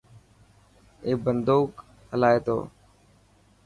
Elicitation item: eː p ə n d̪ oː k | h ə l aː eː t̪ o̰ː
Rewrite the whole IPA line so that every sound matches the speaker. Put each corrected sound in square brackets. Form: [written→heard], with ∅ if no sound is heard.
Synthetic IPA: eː [p→b] ə n d̪ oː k | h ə l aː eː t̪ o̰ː